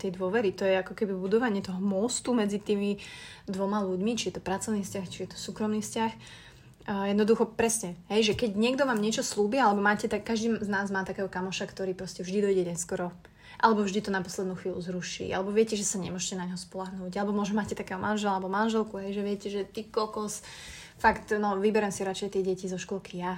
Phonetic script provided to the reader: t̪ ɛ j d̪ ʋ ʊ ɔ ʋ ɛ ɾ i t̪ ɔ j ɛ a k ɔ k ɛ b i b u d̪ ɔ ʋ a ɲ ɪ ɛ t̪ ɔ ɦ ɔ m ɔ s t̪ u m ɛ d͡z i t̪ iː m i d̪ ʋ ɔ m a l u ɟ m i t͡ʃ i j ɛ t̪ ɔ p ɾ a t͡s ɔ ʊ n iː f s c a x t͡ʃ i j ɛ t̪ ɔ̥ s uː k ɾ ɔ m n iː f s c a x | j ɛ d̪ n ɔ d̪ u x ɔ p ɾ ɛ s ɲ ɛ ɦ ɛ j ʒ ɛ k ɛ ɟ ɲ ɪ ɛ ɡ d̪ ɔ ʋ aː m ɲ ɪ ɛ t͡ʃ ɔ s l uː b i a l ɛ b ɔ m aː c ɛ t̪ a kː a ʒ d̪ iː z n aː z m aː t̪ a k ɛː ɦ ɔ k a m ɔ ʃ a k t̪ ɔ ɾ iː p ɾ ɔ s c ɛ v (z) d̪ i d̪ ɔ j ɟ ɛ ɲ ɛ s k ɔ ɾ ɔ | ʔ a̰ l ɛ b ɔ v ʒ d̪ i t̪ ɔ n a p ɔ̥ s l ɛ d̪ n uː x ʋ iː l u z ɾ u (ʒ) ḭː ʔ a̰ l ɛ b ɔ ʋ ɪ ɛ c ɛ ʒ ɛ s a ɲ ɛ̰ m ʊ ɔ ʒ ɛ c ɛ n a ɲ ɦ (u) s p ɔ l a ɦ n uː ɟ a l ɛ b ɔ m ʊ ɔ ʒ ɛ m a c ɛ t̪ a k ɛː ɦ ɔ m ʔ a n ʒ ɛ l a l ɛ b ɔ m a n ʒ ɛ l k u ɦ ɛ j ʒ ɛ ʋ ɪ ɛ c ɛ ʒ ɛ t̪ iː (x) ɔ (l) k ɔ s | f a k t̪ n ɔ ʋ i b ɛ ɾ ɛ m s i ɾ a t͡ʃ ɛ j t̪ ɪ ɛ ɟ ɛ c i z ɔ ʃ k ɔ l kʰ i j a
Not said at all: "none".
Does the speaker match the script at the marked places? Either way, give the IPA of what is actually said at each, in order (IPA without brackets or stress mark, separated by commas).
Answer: ʒ, ʃ, ɔ, k, l